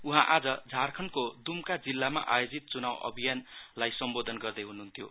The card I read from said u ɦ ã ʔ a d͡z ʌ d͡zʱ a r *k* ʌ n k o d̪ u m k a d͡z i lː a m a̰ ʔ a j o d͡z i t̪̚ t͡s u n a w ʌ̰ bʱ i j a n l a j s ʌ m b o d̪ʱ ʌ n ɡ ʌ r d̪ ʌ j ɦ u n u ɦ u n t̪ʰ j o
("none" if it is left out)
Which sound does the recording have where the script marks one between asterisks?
kʰ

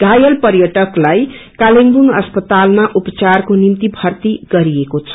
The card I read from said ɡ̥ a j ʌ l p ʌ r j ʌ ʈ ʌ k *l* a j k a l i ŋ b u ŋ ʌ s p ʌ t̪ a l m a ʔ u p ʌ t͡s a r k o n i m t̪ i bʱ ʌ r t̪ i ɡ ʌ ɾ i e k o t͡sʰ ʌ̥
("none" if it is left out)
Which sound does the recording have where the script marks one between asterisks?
l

